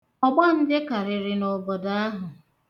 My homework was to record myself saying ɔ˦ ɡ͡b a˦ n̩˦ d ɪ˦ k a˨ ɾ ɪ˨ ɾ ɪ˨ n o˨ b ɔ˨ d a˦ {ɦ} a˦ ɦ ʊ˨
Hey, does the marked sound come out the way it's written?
no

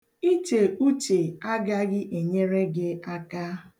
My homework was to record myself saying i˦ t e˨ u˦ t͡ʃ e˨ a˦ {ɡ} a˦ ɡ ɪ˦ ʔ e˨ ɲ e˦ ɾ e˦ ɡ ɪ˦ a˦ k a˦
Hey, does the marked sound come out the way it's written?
yes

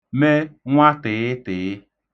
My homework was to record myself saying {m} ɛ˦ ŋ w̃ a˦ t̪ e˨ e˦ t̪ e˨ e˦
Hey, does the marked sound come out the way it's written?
yes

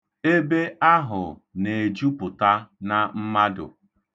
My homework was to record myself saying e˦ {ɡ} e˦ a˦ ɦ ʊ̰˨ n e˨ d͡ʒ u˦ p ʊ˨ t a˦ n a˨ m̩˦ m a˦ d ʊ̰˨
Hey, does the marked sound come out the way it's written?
no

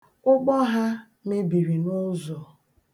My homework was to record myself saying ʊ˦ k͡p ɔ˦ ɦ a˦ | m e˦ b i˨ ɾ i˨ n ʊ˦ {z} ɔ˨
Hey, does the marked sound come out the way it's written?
yes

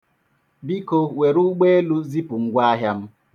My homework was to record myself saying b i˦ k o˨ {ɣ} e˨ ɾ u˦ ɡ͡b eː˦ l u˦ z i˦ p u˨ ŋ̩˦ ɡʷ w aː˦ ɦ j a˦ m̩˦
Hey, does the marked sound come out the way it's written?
no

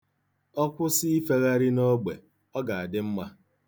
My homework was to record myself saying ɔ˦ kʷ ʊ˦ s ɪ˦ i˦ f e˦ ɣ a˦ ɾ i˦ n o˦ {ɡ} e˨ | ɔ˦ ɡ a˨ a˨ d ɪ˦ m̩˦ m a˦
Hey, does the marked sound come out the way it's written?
no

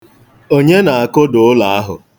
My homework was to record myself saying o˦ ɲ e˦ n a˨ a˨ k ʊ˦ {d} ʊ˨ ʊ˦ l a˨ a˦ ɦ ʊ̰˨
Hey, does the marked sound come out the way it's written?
yes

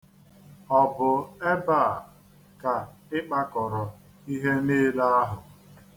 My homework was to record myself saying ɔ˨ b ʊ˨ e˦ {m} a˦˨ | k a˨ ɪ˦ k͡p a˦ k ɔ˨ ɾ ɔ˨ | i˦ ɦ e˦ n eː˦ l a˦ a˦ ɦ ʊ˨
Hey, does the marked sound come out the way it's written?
no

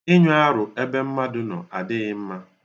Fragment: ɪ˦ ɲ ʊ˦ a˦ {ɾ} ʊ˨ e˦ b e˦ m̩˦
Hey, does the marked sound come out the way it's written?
yes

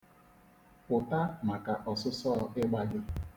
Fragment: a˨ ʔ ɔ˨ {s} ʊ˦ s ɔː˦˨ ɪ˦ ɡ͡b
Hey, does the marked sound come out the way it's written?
yes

